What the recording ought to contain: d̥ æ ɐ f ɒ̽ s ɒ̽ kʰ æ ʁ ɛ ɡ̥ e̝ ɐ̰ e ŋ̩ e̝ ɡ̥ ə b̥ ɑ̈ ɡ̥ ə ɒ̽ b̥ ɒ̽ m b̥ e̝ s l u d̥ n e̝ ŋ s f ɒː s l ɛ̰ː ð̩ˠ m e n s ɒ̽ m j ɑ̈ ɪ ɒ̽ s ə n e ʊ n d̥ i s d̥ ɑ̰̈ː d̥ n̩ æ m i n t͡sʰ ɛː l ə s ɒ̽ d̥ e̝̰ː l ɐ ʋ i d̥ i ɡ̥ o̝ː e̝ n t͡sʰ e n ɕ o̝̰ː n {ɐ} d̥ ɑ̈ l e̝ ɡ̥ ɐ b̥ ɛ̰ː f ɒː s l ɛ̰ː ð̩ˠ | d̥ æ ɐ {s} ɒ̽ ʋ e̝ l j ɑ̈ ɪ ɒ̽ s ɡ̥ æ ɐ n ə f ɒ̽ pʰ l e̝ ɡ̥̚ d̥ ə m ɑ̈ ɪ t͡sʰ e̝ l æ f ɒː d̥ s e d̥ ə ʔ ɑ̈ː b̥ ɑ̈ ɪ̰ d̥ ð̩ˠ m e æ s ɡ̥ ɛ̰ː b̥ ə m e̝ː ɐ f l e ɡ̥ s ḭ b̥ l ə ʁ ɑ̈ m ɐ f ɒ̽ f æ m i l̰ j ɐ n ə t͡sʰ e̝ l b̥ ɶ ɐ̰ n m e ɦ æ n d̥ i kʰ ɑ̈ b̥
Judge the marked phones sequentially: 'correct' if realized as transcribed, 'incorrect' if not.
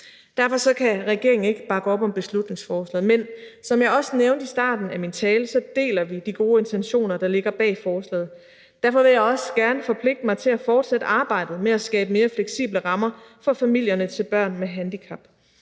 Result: correct, incorrect

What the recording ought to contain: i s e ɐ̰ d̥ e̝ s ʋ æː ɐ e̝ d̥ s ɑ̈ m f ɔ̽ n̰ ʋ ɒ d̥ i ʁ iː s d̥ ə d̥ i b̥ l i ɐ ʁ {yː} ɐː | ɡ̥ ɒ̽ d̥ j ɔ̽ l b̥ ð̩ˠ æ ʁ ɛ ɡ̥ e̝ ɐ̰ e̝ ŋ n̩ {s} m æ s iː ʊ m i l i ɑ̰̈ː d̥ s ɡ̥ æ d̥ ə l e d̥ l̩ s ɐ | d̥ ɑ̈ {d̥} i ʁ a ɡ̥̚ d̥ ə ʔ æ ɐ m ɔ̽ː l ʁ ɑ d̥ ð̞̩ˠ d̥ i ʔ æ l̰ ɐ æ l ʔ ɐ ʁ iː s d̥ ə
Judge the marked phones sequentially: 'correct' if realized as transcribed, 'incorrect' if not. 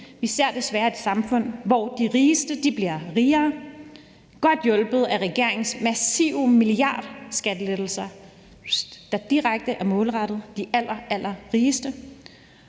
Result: incorrect, correct, correct

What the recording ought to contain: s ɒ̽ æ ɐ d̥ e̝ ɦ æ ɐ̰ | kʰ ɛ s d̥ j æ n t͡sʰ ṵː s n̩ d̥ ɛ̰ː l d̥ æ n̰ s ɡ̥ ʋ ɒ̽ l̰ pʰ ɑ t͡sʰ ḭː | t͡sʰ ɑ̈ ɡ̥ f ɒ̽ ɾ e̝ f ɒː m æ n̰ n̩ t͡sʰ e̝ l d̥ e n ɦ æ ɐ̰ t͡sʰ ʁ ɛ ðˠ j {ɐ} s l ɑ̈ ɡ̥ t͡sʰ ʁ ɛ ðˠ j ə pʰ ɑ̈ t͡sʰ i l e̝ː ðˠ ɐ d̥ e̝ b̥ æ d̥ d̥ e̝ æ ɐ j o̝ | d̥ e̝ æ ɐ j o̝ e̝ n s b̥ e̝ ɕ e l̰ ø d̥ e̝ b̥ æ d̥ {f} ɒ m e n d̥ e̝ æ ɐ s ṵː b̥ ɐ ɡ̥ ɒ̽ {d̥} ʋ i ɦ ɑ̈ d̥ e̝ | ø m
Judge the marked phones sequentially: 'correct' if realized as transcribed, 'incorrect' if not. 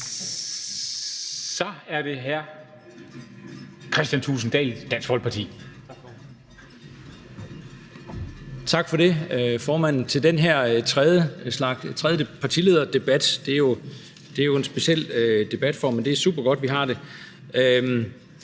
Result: incorrect, correct, correct

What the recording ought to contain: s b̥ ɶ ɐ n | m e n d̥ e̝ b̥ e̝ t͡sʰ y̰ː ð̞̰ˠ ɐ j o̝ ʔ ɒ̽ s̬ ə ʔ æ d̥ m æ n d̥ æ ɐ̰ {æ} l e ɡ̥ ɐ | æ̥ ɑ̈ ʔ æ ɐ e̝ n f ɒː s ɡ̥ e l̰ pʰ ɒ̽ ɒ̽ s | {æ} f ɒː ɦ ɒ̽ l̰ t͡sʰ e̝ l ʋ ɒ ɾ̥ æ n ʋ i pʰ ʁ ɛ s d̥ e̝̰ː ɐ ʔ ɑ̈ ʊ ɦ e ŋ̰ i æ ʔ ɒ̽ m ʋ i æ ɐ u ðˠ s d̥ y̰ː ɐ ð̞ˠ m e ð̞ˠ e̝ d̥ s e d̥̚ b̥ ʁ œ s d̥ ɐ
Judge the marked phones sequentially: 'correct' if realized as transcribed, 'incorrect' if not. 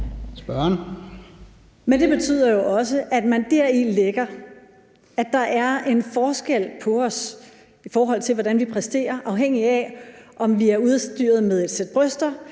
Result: incorrect, incorrect

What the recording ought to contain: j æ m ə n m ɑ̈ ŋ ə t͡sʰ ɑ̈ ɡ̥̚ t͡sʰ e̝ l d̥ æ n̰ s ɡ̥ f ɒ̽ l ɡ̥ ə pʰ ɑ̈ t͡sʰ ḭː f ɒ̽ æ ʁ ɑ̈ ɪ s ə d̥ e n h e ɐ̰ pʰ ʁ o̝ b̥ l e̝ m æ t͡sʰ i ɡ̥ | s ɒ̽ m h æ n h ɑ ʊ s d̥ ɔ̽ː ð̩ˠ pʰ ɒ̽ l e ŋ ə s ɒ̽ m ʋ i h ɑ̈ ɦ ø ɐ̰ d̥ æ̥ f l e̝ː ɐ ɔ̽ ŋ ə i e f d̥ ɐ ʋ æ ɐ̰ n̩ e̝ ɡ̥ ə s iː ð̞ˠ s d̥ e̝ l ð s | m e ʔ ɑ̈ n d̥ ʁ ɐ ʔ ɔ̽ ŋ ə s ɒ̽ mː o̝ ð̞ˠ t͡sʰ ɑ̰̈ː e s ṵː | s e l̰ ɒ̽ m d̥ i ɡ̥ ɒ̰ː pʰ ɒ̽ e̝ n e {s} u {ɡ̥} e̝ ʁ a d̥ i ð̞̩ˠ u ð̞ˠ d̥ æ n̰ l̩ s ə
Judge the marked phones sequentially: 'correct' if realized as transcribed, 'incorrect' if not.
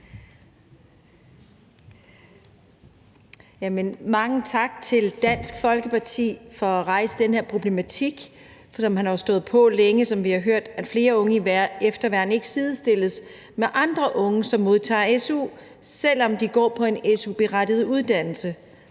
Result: correct, incorrect

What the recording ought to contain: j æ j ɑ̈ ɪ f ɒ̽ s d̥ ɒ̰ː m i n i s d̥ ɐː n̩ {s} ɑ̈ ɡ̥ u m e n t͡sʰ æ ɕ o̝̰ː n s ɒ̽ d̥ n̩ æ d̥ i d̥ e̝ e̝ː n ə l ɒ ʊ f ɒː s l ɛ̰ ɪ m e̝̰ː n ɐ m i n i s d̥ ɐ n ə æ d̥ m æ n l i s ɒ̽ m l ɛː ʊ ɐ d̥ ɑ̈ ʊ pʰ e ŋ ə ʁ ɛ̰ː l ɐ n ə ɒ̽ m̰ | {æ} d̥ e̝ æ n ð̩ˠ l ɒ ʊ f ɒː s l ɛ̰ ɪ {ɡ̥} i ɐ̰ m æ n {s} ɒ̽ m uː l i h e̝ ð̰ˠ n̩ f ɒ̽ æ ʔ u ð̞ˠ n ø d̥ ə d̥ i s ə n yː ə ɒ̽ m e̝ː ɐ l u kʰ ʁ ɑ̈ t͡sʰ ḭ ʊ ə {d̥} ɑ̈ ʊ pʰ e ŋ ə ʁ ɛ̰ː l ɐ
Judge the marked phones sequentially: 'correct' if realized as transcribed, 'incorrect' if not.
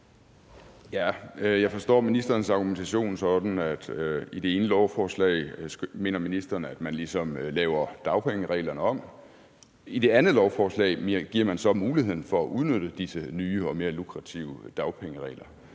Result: correct, incorrect, correct, correct, correct

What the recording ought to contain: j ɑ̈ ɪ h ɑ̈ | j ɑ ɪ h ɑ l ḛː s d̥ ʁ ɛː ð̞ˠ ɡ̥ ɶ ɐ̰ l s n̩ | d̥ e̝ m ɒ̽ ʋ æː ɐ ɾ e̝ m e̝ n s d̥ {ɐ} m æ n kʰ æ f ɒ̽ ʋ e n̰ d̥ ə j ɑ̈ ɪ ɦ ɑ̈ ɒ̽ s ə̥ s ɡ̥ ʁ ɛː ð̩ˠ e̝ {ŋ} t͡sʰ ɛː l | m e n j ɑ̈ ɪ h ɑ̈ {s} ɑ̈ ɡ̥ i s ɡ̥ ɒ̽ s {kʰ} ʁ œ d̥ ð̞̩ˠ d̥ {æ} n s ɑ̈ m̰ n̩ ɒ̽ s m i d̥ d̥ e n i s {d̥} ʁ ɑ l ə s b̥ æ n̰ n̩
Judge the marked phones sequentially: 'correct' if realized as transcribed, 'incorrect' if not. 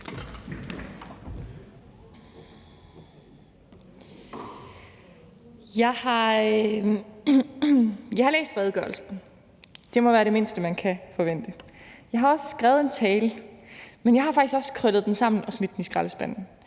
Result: incorrect, incorrect, incorrect, correct, incorrect, incorrect

